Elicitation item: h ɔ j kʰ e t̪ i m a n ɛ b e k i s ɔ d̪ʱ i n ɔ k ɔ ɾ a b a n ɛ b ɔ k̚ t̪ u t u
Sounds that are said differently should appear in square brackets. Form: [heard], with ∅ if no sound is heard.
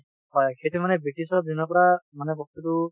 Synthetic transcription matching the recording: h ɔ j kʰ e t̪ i m a n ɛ b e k i s ɔ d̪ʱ i n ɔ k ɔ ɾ a [m] a n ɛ b ɔ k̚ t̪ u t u